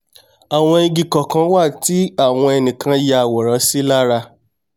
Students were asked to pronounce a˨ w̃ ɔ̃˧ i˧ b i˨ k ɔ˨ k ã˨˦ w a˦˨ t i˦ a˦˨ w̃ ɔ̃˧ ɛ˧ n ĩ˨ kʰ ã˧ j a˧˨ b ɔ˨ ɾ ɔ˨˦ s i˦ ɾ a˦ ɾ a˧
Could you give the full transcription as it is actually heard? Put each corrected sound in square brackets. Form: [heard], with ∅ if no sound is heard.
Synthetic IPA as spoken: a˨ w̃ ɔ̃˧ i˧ [ɡ] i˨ k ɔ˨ k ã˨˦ w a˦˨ t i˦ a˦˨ w̃ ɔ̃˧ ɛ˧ n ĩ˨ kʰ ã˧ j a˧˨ [w] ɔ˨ ɾ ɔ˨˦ s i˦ [l] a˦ ɾ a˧